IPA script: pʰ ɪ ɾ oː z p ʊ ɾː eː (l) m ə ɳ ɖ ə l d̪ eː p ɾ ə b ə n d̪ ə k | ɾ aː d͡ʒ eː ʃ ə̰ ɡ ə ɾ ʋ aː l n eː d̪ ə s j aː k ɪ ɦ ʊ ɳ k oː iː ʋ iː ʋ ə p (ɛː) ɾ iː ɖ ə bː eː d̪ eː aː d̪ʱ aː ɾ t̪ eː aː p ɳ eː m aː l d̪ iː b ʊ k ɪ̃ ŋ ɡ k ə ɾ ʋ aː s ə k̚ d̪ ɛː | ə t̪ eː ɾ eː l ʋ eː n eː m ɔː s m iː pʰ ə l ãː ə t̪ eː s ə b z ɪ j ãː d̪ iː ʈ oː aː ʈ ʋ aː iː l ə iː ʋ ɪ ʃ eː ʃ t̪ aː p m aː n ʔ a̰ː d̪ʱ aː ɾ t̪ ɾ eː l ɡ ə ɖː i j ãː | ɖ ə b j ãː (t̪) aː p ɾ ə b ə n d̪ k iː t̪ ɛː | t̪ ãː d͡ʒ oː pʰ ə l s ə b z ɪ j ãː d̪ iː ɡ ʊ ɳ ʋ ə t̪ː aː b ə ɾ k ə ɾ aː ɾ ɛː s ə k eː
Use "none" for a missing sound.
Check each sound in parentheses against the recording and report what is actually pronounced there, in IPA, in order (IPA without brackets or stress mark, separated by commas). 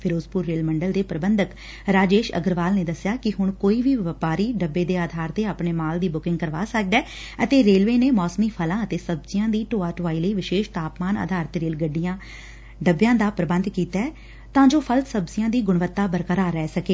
l, aː, d̪